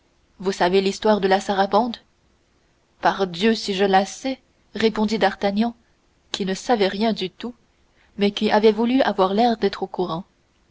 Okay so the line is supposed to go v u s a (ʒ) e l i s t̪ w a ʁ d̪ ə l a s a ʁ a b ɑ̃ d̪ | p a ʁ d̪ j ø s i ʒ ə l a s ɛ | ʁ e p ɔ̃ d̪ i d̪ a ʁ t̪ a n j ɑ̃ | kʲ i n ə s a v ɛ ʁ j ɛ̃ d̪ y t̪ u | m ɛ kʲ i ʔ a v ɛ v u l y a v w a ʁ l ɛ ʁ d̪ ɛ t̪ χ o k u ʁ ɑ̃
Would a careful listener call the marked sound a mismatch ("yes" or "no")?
yes